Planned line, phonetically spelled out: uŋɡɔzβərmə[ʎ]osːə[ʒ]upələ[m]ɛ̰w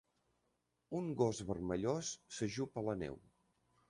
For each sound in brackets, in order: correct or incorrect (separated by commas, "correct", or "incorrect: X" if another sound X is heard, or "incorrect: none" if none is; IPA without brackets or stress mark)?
correct, correct, incorrect: n